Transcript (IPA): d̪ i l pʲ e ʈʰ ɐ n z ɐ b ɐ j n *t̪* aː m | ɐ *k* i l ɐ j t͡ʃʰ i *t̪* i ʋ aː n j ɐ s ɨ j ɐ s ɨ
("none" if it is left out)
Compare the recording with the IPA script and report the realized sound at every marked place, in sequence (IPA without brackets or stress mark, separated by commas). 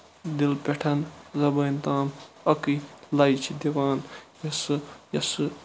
t̪, k, d̪